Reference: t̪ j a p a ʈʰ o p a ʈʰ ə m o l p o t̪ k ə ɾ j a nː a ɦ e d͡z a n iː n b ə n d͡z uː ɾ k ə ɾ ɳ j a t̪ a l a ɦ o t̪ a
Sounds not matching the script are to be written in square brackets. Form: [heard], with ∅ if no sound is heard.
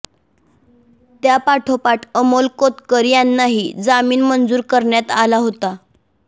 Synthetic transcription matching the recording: t̪ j a p a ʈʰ o p a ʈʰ ə m o l [k] o t̪ k ə ɾ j a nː a ɦ [i] d͡z a [m] iː n [m] ə n d͡z uː ɾ k ə ɾ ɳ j a t̪ a l a ɦ o t̪ a